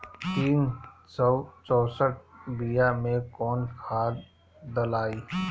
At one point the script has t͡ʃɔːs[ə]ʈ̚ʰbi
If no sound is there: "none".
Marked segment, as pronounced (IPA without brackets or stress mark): ə